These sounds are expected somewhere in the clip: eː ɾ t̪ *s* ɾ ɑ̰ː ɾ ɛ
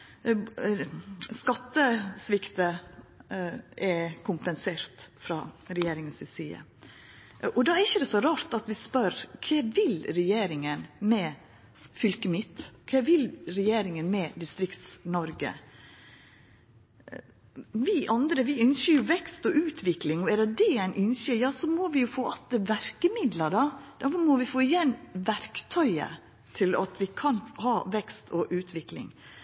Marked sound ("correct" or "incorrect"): incorrect